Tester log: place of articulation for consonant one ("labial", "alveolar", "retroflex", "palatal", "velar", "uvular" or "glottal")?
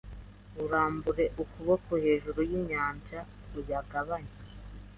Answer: alveolar